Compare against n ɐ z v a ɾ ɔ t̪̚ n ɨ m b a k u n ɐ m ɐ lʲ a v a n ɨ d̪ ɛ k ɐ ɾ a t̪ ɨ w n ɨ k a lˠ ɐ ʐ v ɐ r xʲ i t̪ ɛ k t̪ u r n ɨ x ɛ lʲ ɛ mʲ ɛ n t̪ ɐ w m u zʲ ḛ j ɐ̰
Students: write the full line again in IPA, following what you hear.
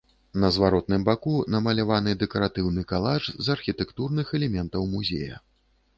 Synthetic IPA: n ɐ z v a ɾ ɔ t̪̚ n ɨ m b a k u n ɐ m ɐ lʲ a v a n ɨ d̪ ɛ k ɐ ɾ a t̪ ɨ w n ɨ k a lˠ a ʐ z ɐ r xʲ i t̪ ɛ k t̪ u r n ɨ x ɛ lʲ ɛ mʲ ɛ n t̪ ɐ w m u zʲ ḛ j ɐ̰